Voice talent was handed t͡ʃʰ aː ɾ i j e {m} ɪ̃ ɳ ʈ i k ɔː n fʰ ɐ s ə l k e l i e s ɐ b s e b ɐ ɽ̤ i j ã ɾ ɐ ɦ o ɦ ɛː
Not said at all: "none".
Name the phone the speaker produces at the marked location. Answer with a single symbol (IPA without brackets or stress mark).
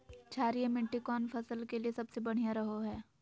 m